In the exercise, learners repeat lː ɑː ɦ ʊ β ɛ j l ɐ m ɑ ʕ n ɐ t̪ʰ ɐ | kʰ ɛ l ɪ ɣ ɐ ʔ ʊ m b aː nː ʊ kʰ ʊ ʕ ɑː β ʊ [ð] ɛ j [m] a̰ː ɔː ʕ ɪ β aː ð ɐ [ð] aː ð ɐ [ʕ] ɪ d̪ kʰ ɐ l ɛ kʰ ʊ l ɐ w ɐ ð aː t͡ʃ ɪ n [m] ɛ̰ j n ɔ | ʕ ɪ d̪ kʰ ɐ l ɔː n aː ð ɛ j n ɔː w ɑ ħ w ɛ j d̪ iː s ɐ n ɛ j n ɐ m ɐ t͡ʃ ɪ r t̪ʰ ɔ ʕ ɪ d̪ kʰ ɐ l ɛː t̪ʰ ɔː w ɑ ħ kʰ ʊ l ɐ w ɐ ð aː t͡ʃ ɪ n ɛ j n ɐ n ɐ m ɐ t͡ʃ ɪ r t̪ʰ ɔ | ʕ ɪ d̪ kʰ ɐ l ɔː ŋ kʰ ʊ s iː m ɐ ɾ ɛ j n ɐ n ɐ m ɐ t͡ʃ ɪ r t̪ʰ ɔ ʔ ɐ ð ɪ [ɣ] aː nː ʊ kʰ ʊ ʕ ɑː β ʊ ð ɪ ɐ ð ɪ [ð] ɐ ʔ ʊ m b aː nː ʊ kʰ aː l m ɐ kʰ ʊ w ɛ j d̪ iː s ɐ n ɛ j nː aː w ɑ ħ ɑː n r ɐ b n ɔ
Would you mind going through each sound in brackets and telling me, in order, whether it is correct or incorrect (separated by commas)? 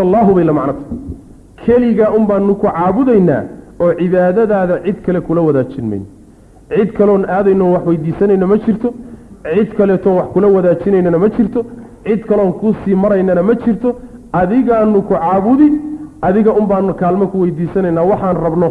correct, incorrect, correct, correct, correct, correct, incorrect